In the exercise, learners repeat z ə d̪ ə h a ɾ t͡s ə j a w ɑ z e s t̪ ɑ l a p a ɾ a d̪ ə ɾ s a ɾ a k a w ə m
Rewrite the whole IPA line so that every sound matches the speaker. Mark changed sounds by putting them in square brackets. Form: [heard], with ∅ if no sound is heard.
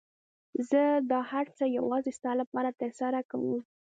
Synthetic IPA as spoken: z ə d̪ [ɑ] h a ɾ t͡s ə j a w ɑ z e s t̪ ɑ l a p [ɑ] ɾ a [t̪] ə ɾ s a ɾ a k a w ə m